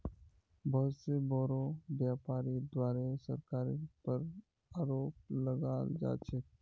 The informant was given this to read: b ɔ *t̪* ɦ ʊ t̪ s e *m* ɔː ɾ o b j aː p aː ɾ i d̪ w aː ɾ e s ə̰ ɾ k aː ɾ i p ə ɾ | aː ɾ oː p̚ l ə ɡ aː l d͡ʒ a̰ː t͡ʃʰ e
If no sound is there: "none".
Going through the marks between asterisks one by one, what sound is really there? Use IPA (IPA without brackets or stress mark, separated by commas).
none, b